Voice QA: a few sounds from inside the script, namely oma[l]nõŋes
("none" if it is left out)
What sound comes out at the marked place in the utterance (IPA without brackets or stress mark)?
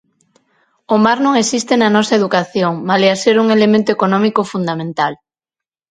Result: ɾ